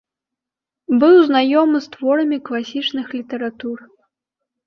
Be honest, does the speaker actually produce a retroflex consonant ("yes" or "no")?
yes